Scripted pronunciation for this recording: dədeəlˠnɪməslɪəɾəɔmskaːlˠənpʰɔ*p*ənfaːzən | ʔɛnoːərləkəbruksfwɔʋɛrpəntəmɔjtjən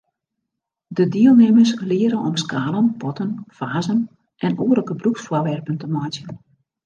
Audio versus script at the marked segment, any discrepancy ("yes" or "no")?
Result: yes